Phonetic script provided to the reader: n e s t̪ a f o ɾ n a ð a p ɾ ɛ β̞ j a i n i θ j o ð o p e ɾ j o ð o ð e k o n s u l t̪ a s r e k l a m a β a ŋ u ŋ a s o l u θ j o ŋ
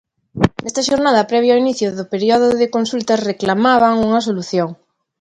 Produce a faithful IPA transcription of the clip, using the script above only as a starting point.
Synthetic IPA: n e s t̪ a ʃ o ɾ n a ð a p ɾ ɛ β̞ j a i n i θ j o ð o p e ɾ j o ð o ð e k o n s u l t̪ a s r e k l a m a β a ŋ u ŋ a s o l u θ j o ŋ